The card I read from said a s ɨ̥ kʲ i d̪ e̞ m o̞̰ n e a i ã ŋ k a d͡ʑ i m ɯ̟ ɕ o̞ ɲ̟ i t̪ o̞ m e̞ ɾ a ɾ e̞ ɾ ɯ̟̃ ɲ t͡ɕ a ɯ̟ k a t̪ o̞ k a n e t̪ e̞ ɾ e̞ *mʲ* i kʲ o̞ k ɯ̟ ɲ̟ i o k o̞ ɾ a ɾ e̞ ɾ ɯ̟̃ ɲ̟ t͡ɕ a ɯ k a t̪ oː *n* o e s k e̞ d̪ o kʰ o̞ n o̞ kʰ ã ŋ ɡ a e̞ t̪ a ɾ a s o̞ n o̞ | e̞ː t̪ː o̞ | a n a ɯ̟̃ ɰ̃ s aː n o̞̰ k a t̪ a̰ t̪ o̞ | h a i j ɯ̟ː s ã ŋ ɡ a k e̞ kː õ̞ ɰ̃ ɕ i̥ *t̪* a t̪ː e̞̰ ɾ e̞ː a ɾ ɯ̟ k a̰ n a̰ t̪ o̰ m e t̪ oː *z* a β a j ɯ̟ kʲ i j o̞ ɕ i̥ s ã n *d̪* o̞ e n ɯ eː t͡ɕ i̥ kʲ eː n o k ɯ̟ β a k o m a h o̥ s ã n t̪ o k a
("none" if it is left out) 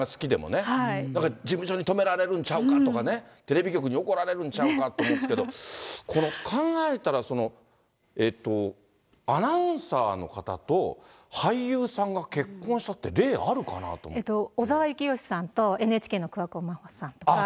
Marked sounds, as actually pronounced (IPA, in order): bʲ, m, t̪, z, t̪

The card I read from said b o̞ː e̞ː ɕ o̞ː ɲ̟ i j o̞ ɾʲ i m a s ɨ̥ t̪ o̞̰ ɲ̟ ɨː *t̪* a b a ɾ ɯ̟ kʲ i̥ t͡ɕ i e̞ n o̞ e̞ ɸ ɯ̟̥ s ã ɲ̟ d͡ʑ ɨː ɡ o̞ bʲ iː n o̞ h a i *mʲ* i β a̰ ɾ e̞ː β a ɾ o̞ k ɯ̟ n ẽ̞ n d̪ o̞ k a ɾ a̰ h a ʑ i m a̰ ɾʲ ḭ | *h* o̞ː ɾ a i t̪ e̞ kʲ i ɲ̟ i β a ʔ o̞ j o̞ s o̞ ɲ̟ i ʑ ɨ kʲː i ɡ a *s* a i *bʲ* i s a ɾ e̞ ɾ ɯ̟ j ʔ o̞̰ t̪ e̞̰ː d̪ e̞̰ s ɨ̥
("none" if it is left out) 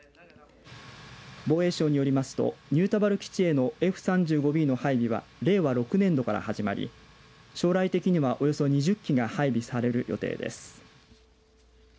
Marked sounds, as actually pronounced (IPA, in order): t̪, bʲ, ɕ, h, bʲ

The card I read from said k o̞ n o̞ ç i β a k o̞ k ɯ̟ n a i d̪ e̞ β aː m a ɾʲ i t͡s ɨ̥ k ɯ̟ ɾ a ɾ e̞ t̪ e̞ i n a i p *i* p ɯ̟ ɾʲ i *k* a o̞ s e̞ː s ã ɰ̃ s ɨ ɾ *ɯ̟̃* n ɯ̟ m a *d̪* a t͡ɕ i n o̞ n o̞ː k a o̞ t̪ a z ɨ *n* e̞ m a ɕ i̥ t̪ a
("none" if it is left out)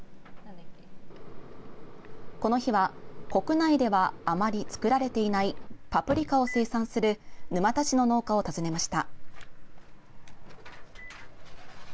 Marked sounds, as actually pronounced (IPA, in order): a, k, ɯ̟, t̪, n

